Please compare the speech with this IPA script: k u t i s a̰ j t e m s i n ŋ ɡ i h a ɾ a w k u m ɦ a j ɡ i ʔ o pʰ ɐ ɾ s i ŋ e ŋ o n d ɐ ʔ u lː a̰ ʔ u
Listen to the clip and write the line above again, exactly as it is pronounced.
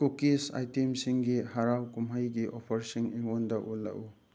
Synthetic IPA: k u k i s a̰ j t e m s i ŋ ɡ i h a ɾ a w k u m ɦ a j ɡ i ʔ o pʰ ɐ ɾ s i ŋ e ŋ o n d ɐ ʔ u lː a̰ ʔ u